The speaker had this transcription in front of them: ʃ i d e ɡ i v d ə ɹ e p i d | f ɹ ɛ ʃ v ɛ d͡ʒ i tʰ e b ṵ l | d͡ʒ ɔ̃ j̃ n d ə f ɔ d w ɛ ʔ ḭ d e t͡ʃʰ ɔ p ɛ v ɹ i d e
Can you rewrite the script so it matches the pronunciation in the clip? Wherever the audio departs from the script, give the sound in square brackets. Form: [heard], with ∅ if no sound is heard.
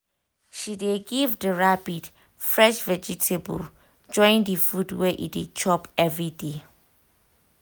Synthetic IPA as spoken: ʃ i d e ɡ i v d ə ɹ [a] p i d | f ɹ ɛ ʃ v ɛ d͡ʒ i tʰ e b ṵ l | d͡ʒ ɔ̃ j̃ n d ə f [u] d w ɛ ʔ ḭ d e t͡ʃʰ ɔ p ɛ v ɹ i d e

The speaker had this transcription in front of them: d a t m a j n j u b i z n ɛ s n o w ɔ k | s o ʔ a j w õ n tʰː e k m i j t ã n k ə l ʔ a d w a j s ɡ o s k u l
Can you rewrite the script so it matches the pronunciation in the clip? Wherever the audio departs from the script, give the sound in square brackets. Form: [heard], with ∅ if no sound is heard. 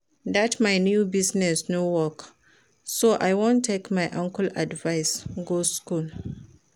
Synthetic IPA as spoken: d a t m a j n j u b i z n ɛ s n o w ɔ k | s o ʔ a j w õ n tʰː e k m [a] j [ʔ] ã [ŋ] k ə l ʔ a d [v] a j s ɡ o s k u l

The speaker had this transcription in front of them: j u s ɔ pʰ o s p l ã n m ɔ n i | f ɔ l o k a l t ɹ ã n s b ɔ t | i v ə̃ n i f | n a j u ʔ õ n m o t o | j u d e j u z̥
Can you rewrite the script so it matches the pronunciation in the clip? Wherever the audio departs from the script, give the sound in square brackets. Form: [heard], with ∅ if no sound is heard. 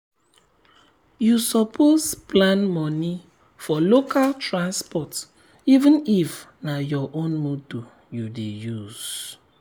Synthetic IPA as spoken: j u s ɔ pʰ o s p l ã n m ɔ n i | f ɔ l o k a l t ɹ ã n s [p] ɔ t | i v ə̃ n i f | n a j [ɔ] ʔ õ n m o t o | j u d e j u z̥

